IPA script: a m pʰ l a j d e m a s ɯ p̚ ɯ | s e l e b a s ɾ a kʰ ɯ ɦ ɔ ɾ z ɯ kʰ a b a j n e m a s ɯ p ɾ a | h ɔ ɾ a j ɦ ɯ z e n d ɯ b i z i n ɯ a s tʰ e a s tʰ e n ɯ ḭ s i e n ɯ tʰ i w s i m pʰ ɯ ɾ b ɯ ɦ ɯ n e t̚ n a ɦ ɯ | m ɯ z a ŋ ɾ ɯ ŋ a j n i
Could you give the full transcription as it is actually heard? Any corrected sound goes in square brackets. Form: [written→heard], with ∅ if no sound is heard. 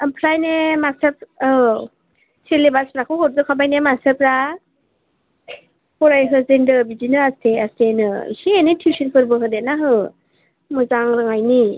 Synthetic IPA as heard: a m pʰ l a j [d→n] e m a s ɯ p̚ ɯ | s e l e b a s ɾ a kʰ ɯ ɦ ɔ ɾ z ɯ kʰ a b a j n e m a s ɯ p ɾ a | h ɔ ɾ a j ɦ ɯ z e n d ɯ b i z i n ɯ a s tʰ e a s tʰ e n ɯ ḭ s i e n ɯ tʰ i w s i [m→n] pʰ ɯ ɾ b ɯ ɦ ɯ [n→d] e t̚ n a ɦ ɯ | m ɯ z a ŋ ɾ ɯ ŋ a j n i